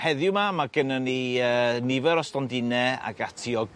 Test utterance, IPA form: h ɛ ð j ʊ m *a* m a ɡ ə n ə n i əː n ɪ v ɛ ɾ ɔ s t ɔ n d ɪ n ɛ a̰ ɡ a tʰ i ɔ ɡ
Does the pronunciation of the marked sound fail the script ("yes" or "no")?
no